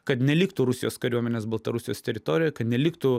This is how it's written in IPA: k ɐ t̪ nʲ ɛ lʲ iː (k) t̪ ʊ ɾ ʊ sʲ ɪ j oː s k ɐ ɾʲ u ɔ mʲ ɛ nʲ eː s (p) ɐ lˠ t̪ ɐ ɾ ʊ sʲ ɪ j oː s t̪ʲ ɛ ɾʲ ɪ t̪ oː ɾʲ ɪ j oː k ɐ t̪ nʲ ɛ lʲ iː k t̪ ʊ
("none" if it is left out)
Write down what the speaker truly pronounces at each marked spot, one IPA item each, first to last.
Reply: k, b

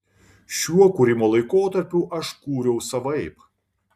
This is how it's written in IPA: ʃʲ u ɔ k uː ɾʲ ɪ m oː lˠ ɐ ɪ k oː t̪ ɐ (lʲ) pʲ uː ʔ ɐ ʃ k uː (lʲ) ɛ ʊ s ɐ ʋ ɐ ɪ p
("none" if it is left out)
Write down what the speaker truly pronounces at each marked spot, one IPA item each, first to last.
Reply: ɾʲ, ɾʲ

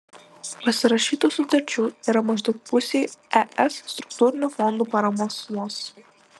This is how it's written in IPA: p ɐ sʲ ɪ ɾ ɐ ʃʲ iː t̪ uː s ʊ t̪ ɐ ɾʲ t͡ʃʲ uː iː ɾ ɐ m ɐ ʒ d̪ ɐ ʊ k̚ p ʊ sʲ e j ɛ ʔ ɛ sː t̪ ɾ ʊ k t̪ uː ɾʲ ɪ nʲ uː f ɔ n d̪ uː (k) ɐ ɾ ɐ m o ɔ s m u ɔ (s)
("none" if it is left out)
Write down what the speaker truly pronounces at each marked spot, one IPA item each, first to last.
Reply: p, s

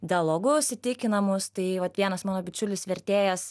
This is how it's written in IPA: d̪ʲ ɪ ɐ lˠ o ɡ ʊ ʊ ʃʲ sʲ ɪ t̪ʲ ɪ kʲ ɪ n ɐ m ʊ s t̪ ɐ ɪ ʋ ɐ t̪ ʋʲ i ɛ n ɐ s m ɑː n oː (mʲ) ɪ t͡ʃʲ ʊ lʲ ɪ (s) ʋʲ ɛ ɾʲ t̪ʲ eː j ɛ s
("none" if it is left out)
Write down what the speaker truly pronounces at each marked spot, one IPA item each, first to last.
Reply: bʲ, s

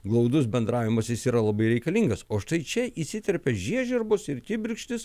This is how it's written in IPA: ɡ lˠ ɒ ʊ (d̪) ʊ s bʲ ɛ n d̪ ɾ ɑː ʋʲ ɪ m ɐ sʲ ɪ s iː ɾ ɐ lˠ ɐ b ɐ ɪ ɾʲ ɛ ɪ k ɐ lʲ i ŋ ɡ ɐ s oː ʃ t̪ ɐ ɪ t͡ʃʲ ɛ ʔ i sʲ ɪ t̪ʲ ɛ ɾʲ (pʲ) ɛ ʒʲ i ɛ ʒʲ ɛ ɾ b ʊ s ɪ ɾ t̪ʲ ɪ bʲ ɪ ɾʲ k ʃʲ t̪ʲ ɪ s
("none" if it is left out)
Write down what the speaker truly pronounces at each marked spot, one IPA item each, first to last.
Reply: d̪, pʲ

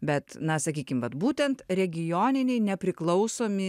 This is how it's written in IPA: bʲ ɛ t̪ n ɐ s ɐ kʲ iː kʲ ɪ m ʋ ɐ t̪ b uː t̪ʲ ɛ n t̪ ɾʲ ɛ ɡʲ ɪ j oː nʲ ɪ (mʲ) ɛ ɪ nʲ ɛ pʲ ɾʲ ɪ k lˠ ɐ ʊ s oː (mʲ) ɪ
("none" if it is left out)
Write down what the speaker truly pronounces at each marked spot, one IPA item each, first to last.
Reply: nʲ, mʲ

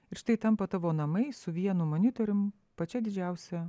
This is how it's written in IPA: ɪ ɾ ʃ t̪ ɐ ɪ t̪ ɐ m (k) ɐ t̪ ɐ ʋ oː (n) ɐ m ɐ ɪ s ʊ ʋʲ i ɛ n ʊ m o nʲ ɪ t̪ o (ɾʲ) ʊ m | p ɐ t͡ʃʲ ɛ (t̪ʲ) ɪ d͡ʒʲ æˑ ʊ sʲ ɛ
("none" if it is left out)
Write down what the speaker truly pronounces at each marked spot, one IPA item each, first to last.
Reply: p, n, ɾʲ, d̪ʲ

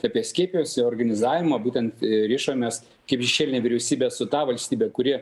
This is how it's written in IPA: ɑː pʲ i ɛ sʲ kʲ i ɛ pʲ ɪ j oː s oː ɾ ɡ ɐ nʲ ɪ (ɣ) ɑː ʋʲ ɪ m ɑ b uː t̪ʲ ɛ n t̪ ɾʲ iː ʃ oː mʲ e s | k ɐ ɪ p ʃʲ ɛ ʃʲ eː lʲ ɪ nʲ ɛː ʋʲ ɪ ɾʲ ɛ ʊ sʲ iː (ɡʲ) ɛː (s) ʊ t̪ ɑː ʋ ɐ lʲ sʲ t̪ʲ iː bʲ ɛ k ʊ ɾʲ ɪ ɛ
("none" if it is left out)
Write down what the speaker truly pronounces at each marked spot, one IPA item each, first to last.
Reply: z, bʲ, s

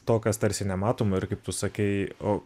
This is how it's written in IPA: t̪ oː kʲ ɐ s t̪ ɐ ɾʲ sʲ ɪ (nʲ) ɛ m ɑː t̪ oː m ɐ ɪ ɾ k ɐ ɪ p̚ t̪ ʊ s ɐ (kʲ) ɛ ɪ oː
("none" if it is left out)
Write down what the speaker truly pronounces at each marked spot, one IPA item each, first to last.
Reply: nʲ, kʲ

